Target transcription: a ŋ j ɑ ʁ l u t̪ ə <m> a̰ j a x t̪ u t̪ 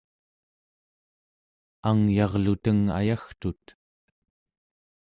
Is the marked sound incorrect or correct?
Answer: incorrect